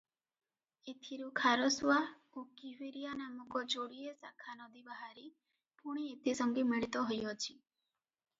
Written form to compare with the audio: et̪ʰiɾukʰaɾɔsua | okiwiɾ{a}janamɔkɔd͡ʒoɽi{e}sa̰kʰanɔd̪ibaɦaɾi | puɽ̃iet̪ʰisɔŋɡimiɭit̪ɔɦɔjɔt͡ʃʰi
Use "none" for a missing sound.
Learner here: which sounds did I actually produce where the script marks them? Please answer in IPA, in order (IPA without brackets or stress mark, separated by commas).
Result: i, e